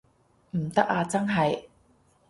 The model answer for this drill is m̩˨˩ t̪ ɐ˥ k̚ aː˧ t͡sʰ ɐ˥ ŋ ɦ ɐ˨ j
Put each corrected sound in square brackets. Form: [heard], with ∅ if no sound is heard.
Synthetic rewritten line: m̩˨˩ t̪ ɐ˥ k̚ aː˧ [t͡s] ɐ˥ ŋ ɦ ɐ˨ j